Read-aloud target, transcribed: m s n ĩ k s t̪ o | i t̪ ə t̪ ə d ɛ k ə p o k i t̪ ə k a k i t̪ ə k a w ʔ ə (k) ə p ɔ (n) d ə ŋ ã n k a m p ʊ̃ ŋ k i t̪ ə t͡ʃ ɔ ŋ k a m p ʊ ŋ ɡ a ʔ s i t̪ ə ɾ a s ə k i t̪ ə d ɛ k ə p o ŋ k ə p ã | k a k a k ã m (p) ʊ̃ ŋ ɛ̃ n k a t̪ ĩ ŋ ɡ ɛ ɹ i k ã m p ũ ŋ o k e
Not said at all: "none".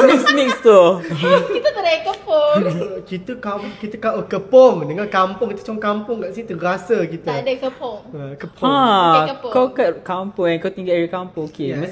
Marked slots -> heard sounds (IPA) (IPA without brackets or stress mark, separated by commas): k, ŋ, p